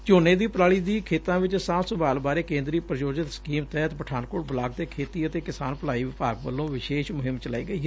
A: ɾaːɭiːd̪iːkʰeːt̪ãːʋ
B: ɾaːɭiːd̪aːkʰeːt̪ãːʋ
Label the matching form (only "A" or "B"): A